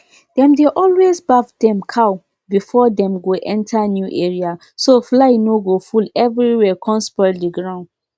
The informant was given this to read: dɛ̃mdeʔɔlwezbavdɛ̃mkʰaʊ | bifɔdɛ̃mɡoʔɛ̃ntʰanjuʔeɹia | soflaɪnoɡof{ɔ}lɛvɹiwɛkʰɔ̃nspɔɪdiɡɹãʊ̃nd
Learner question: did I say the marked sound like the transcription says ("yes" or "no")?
no